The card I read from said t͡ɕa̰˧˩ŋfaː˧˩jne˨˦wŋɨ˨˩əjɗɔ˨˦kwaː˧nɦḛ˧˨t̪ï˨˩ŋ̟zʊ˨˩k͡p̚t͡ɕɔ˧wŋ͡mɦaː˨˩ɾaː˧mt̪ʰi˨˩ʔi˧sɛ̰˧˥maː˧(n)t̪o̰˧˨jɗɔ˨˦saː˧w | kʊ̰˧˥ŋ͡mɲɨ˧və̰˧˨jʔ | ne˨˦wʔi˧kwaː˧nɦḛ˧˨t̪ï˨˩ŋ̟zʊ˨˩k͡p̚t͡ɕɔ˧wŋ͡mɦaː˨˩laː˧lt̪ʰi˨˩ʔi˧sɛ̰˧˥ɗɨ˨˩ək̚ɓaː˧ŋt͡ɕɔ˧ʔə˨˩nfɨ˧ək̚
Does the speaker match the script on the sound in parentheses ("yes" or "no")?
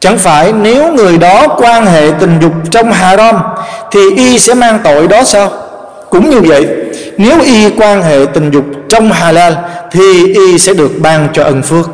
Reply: no